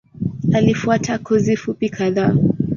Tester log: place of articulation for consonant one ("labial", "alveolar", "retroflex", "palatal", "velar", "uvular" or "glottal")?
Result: alveolar